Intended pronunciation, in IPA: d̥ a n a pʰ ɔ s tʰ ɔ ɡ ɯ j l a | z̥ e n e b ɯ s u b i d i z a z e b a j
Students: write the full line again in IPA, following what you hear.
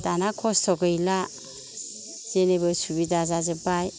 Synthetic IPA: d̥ a n a kʰ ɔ s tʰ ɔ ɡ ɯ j l a | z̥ e n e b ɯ s u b i d a z a z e b a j